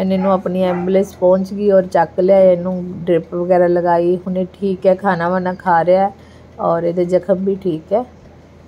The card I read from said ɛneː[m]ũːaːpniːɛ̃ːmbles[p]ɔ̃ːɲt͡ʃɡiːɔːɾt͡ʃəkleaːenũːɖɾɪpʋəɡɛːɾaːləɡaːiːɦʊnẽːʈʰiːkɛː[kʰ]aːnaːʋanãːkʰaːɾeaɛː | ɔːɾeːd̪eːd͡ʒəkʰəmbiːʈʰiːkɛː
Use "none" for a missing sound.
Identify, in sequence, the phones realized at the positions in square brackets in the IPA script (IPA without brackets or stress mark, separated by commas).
n, p, kʰ